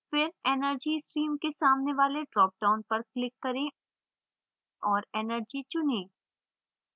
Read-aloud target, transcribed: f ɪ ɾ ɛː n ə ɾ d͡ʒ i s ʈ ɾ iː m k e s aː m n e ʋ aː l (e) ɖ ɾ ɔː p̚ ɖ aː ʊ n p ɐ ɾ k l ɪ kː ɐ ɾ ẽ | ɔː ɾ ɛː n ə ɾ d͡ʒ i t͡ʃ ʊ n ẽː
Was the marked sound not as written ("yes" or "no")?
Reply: no